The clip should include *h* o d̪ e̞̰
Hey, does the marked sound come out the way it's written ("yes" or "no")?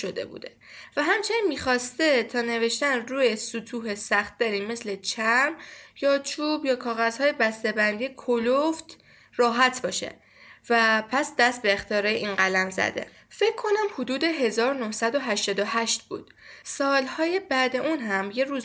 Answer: no